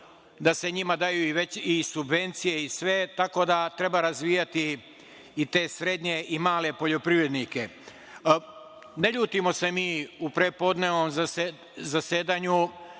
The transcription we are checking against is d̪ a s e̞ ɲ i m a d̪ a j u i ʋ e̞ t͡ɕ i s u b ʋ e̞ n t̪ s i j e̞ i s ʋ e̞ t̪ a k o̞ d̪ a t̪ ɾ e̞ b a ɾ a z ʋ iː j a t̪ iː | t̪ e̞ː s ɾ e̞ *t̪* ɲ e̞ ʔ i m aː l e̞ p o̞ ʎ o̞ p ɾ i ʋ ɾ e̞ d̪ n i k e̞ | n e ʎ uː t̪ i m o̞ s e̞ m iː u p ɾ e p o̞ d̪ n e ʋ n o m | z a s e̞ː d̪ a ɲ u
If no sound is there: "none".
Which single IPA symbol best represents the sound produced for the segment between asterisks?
d̪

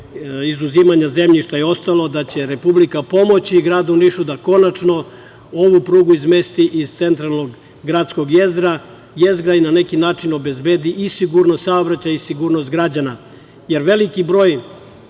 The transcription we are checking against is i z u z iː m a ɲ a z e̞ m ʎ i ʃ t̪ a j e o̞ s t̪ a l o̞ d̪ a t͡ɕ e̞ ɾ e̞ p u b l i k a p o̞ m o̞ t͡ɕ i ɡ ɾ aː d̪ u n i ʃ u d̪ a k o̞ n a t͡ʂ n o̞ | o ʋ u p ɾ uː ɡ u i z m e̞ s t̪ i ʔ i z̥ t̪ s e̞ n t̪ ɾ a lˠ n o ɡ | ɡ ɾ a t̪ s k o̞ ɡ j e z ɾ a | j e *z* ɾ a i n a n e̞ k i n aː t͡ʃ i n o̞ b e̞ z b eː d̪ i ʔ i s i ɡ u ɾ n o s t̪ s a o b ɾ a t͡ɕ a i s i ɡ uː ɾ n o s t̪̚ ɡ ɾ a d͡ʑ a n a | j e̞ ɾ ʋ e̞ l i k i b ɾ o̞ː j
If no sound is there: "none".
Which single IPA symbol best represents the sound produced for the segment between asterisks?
z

